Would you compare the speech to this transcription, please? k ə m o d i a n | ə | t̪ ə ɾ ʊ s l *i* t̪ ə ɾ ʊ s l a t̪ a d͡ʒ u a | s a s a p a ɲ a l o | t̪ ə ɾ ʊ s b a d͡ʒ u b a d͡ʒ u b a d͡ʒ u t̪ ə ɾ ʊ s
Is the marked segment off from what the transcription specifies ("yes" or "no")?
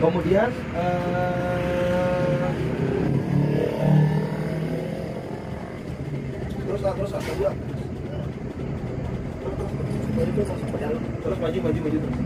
yes